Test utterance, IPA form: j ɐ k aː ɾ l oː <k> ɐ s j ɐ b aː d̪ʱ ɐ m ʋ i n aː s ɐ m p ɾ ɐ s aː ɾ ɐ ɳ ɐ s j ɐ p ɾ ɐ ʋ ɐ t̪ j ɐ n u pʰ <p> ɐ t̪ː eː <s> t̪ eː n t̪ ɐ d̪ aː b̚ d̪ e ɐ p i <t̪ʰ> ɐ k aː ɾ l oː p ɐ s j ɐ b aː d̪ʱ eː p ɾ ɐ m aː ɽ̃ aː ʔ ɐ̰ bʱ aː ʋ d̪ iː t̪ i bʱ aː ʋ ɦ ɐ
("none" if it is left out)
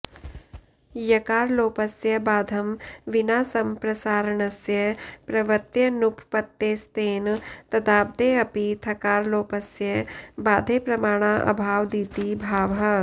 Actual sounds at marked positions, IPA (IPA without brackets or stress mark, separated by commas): p, p, s, t̪ʰ